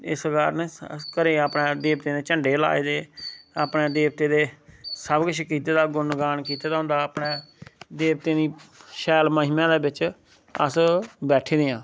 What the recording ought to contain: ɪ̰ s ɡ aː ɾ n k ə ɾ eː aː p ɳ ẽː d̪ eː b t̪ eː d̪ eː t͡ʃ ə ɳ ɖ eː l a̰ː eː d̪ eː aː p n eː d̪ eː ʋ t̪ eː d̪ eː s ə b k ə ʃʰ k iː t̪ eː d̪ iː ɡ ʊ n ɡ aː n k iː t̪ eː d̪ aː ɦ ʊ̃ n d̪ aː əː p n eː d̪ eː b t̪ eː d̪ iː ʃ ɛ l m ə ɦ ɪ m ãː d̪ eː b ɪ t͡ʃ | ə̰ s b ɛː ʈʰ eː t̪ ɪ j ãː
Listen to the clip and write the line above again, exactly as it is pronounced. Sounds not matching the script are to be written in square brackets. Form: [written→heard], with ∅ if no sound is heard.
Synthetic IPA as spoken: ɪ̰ s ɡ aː ɾ n k ə ɾ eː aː p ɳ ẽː d̪ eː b t̪ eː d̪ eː t͡ʃ ə ɳ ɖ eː l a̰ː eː d̪ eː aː p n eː d̪ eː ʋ t̪ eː d̪ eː s ə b k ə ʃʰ k iː t̪ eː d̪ [iː→aː] ɡ ʊ n ɡ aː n k iː t̪ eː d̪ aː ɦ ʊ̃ n d̪ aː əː p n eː d̪ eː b t̪ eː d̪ iː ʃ [ɛ→ɛː] l m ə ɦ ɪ m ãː d̪ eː b ɪ t͡ʃ | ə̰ s b ɛː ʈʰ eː [t̪→d̪] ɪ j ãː